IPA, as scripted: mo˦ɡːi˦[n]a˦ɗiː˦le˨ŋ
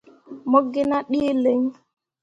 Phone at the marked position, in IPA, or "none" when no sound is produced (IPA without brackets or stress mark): n